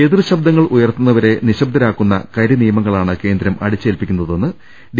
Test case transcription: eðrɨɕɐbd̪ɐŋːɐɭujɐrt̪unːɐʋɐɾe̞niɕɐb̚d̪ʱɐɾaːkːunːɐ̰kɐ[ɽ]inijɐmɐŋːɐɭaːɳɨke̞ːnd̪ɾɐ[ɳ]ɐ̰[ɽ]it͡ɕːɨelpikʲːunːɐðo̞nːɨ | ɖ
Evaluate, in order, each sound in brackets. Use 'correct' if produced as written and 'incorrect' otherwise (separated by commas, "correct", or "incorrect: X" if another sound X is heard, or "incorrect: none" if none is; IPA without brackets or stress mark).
incorrect: ɾ, incorrect: m, correct